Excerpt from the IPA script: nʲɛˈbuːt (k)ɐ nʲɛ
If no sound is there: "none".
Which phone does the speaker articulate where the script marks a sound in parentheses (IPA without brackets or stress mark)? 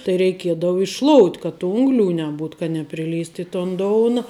k